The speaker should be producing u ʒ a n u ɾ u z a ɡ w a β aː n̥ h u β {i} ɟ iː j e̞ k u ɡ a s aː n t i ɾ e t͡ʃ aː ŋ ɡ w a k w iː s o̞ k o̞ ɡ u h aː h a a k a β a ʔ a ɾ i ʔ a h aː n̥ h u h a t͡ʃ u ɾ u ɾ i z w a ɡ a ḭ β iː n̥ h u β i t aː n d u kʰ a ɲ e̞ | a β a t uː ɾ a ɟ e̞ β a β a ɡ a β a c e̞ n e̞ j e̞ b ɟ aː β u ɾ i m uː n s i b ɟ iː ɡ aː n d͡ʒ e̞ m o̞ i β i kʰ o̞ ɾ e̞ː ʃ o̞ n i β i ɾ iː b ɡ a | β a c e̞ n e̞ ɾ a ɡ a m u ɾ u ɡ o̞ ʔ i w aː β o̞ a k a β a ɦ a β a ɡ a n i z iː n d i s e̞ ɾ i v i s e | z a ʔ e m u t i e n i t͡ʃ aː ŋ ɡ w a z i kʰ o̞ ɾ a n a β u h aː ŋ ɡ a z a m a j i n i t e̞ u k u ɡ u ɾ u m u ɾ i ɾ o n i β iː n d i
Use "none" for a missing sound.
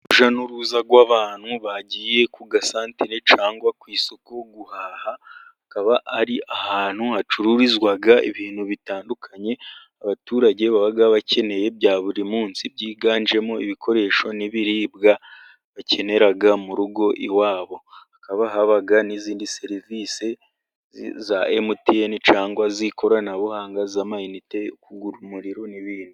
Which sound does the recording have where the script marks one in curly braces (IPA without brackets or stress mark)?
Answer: a